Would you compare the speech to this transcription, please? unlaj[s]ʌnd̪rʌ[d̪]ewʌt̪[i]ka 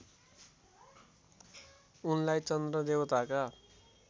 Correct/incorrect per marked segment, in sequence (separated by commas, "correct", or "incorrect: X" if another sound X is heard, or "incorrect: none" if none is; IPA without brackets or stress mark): incorrect: t͡s, correct, incorrect: a